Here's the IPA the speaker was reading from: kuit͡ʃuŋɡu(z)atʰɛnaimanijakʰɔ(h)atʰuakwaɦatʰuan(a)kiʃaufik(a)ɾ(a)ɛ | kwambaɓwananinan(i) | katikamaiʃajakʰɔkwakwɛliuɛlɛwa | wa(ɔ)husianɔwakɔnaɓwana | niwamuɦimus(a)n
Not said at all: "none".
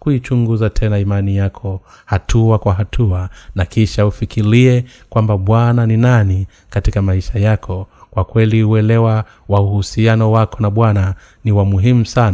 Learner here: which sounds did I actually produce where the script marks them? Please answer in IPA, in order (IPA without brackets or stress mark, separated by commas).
z, h, a, i, i, i, u, a